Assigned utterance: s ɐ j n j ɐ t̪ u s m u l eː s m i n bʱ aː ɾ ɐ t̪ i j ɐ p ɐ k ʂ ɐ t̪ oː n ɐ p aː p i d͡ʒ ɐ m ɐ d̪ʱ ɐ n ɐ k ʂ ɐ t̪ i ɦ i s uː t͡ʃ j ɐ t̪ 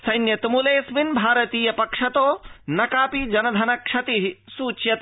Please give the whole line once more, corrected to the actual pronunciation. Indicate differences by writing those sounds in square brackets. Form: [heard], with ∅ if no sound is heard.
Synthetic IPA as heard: s ɐ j n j ɐ t̪ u [∅] m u l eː s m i n bʱ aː ɾ ɐ t̪ [iː] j ɐ p ɐ k ʂ ɐ t̪ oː n ɐ [k] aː p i d͡ʒ ɐ [n] ɐ d̪ʱ ɐ n ɐ k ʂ ɐ t̪ i ɦ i s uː t͡ʃ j ɐ t̪